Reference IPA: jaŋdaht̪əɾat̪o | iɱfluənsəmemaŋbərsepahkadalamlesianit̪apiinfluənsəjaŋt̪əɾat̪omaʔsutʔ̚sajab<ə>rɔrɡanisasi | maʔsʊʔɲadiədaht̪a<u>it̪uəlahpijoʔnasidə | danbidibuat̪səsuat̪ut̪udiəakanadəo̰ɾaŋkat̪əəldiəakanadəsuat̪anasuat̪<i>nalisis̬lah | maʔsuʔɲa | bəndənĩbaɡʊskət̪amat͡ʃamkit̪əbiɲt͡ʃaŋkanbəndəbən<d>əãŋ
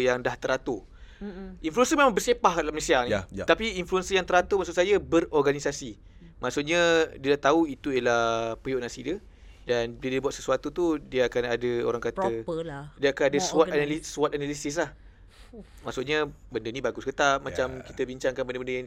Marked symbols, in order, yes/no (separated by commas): yes, yes, no, yes